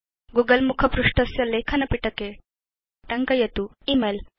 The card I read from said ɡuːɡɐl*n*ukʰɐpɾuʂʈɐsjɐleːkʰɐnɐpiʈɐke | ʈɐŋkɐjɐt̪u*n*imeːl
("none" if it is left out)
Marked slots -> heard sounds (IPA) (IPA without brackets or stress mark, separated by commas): m, none